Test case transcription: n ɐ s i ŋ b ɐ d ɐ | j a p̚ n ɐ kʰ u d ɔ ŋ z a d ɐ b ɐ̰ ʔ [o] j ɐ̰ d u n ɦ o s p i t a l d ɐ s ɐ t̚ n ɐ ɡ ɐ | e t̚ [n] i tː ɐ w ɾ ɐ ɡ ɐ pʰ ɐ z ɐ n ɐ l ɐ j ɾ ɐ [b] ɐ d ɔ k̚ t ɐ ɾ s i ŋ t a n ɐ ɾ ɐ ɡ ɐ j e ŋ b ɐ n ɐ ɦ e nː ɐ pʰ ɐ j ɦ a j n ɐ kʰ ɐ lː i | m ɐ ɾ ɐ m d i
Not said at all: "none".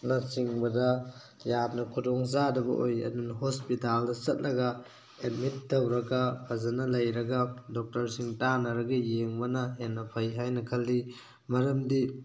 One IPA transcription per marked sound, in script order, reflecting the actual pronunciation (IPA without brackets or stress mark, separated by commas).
o, m, ɡ